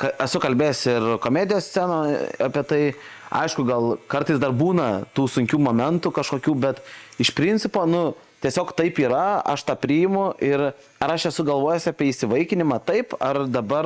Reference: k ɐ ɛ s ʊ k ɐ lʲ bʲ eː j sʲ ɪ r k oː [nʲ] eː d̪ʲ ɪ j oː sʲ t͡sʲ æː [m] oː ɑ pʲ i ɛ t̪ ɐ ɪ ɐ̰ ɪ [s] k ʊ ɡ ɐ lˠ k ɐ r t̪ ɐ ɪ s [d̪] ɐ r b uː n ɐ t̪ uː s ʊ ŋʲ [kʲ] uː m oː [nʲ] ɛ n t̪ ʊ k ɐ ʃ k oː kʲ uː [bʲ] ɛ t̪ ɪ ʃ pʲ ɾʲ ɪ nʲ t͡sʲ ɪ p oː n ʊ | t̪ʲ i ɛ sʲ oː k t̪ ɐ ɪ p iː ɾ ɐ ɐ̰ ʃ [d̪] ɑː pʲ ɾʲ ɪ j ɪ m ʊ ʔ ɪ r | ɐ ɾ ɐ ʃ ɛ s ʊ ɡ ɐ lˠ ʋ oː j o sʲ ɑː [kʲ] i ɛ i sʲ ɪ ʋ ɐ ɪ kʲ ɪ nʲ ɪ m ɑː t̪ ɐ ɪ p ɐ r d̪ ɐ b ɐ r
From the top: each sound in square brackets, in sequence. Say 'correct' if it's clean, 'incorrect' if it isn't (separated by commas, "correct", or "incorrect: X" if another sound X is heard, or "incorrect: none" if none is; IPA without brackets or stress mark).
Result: incorrect: mʲ, incorrect: n, incorrect: ʃ, correct, correct, incorrect: mʲ, correct, incorrect: t̪, incorrect: pʲ